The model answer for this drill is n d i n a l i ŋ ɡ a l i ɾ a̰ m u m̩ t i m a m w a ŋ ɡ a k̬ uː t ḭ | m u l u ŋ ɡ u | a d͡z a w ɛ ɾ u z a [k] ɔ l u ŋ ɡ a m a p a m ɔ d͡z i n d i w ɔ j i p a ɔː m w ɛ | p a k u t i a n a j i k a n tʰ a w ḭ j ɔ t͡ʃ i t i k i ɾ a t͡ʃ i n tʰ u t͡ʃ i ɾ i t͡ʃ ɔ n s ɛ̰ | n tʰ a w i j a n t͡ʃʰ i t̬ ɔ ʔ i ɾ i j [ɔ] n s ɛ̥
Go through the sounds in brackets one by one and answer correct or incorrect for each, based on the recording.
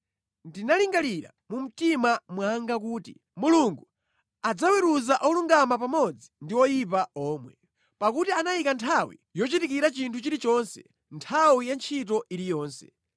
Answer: incorrect: ʔ, incorrect: ɔː

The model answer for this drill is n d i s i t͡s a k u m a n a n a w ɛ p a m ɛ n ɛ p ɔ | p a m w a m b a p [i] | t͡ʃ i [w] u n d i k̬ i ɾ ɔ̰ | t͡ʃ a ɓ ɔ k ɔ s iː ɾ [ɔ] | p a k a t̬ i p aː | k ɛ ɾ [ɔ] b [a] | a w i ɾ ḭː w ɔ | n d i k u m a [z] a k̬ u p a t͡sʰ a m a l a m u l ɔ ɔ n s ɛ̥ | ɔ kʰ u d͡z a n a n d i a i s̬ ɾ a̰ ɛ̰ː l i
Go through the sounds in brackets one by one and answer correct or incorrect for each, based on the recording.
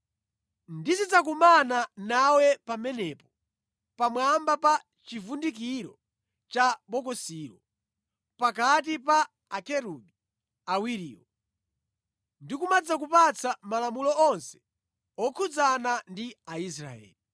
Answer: incorrect: a, incorrect: v, correct, incorrect: u, incorrect: i, incorrect: d͡z

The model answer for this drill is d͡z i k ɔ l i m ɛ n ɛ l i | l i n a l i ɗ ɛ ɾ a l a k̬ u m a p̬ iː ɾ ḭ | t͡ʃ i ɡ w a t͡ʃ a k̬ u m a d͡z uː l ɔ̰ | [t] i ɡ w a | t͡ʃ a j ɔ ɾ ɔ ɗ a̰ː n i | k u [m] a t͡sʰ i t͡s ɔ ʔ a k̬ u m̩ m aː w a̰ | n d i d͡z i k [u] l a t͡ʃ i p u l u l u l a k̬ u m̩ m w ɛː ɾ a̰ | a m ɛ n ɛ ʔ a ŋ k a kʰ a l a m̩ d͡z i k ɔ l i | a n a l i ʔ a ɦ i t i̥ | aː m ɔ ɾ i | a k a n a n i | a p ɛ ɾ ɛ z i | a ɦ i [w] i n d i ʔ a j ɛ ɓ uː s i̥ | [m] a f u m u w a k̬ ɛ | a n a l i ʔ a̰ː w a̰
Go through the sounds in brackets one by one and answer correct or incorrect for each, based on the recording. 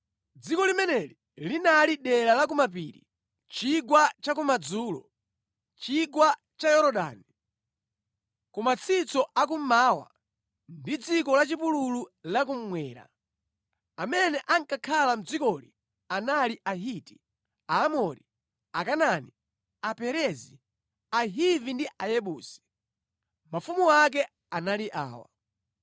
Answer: incorrect: t͡ʃ, correct, incorrect: ɔ, incorrect: v, correct

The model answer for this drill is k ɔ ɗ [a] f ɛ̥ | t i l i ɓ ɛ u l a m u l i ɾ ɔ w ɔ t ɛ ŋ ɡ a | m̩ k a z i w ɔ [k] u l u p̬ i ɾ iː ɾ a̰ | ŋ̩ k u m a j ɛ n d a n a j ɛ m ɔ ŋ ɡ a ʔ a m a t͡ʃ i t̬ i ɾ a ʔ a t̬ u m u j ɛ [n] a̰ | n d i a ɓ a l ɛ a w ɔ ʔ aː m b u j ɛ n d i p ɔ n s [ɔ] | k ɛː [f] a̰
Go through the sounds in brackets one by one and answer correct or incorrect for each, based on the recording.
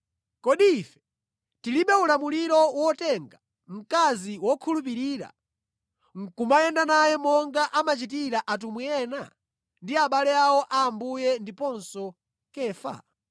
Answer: incorrect: i, incorrect: kʰ, correct, correct, correct

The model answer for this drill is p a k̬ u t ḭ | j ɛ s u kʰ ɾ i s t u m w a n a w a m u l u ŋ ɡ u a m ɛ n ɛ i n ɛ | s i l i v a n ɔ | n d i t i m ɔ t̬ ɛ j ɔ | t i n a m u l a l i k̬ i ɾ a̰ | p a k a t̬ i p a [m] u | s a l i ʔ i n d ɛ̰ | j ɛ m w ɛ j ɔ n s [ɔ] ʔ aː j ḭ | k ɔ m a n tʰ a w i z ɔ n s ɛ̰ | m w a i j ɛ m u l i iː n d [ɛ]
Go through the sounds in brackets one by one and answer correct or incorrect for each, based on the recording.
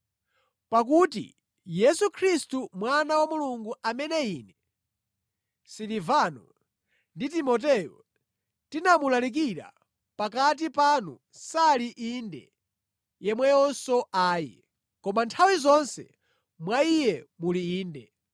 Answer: incorrect: n, correct, correct

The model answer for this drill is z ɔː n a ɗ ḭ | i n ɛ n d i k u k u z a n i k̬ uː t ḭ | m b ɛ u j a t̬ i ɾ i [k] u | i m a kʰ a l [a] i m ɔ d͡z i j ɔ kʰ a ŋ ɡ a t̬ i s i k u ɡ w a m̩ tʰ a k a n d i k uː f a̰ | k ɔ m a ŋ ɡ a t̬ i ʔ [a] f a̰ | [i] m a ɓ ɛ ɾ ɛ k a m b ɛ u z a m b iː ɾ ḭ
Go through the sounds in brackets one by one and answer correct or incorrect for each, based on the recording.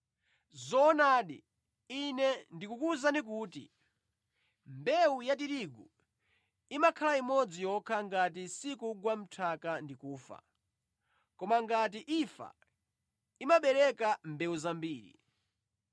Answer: incorrect: ɡ, correct, incorrect: i, correct

